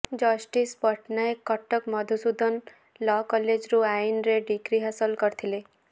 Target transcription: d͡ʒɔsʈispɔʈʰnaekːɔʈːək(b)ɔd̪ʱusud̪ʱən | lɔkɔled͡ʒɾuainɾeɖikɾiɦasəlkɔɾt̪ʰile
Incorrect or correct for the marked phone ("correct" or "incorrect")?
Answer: incorrect